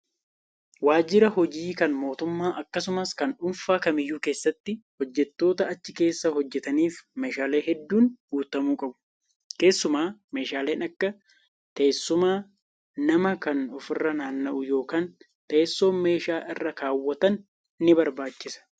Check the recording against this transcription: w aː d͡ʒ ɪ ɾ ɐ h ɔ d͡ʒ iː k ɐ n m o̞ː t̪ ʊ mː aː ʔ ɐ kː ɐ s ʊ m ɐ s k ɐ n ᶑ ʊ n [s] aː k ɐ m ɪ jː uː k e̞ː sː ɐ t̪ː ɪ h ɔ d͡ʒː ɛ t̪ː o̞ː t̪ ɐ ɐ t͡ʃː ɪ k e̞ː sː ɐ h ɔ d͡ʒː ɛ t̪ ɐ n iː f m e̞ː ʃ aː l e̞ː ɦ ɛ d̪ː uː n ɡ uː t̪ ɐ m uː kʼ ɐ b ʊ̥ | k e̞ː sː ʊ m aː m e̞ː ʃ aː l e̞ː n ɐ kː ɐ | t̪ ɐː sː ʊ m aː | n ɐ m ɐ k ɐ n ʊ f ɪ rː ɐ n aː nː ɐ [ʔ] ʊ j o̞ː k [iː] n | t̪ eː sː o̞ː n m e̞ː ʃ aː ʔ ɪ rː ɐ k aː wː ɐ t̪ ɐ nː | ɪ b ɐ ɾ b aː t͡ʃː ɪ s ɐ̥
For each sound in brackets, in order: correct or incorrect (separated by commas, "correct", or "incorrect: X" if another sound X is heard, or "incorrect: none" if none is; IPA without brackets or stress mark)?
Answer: incorrect: f, correct, incorrect: aː